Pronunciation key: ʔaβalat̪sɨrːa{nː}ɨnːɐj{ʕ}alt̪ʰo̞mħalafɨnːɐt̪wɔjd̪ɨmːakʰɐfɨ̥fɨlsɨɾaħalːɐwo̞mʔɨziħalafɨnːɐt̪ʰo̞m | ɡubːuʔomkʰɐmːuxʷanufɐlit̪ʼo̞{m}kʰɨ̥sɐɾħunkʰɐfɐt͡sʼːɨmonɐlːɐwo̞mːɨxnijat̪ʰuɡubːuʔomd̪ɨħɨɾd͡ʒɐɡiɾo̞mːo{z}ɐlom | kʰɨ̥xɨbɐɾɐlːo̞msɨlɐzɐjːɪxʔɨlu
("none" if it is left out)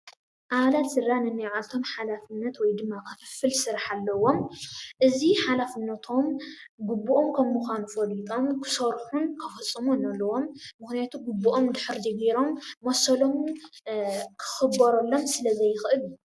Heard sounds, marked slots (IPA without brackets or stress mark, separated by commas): n, ʕ, m, s